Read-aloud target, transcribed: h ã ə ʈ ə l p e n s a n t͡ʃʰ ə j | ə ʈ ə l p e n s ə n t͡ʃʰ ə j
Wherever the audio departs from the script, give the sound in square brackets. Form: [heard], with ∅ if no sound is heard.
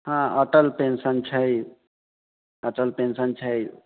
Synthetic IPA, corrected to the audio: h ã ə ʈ ə l p e n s [ə] n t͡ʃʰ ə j | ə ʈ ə l p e n s ə n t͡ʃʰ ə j